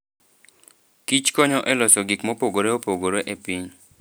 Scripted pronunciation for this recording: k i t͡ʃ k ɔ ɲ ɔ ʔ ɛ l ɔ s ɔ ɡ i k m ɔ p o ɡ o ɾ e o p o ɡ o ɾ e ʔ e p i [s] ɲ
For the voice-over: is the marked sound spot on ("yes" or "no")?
no